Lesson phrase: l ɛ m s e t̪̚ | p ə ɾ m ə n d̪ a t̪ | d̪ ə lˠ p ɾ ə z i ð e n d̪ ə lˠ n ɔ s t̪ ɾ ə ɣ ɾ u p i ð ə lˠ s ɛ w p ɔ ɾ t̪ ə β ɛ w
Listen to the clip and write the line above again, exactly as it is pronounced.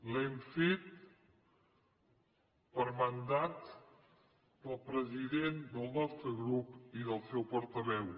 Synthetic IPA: l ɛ m f e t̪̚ | p ə ɾ m ə n d̪ a t̪ | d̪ ə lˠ p ɾ ə z i ð e n d̪ ə lˠ n ɔ s t̪ ɾ ə ɣ ɾ u p i ð ə lˠ s ɛ w p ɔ ɾ t̪ ə β ɛ w